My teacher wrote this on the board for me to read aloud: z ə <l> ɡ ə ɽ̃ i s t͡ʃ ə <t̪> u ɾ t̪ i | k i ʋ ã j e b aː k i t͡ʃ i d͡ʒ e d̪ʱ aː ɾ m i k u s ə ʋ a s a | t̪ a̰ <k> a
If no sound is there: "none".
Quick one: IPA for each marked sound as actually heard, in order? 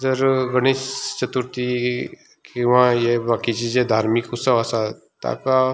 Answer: ɾ, t̪, k

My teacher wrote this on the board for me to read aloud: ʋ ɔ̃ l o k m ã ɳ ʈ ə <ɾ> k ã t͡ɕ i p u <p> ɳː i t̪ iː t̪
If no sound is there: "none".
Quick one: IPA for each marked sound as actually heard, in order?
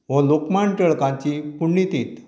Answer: ɭ, none

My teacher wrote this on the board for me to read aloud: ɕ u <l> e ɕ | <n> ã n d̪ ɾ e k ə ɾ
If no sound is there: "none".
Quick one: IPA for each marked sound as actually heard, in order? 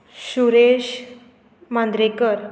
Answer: ɾ, m

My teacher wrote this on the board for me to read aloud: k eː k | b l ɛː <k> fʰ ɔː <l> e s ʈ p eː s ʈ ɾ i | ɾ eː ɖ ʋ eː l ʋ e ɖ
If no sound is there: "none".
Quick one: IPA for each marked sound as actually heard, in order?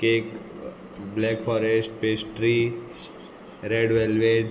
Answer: k, ɾ

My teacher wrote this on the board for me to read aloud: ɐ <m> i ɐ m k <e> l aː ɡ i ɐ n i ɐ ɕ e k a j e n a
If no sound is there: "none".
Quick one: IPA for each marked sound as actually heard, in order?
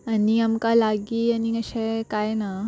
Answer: n, a

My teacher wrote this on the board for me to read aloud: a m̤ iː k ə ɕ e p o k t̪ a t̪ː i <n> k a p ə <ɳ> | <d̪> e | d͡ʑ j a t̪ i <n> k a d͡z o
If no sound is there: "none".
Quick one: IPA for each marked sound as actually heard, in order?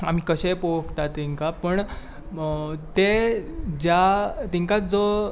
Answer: ŋ, ɳ, t̪, ŋ

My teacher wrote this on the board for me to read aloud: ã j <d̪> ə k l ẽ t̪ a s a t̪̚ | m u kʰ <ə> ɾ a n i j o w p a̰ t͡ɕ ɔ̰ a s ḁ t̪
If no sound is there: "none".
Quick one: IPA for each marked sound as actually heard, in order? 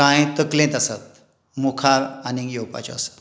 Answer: t̪, a

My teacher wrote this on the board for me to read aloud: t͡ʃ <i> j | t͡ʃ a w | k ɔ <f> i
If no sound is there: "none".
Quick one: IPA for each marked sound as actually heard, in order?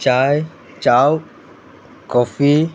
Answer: a, f

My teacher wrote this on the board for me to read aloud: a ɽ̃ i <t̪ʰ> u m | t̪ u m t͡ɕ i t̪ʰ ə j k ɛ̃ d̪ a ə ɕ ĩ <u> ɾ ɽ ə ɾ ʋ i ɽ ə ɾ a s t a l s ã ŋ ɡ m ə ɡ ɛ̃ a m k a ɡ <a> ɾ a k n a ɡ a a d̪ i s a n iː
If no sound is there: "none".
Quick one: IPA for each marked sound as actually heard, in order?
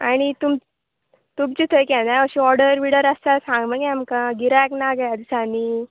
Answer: t̪, ɔ, i

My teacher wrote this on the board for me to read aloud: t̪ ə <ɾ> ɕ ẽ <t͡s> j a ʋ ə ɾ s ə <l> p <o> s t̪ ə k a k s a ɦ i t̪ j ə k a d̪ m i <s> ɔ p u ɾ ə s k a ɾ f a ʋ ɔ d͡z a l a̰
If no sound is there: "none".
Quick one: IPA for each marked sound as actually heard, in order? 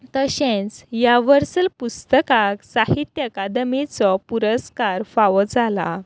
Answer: none, t͡s, l, u, t͡s

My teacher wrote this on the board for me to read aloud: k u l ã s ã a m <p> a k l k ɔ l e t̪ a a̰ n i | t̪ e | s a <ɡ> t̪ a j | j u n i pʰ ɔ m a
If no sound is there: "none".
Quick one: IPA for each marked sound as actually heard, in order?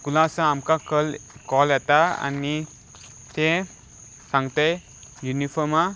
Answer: k, ŋ

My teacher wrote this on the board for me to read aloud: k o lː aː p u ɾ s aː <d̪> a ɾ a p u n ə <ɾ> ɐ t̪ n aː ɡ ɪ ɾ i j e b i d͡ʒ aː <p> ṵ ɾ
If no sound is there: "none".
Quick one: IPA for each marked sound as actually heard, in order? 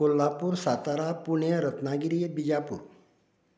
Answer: t̪, ɾ, p

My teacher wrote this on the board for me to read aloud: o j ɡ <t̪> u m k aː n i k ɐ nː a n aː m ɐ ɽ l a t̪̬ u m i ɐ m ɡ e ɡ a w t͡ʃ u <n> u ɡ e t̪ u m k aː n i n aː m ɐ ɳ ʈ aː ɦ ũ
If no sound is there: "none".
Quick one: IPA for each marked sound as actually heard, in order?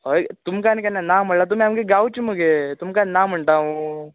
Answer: t̪, m

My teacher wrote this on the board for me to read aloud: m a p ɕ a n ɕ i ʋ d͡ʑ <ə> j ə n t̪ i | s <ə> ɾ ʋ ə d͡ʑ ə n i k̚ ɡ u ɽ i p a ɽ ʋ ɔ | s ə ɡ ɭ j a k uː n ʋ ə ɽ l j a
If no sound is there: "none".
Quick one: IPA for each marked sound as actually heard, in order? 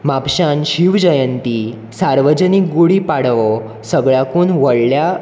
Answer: ə, a

